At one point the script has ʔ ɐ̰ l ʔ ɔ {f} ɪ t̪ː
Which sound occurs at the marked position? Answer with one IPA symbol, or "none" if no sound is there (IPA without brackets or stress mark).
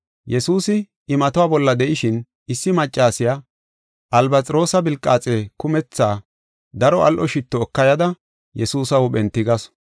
ʃ